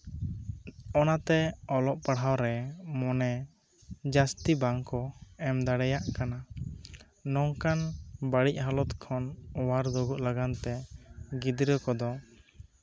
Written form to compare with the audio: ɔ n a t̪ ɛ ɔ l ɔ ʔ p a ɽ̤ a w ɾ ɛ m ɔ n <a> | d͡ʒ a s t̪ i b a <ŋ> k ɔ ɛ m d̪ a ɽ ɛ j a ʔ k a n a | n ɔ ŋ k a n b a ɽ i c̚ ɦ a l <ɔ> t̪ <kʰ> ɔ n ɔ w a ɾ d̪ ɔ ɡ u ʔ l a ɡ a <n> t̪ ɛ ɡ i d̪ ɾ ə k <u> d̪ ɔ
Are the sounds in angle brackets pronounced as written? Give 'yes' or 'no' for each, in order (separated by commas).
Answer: no, yes, yes, yes, yes, no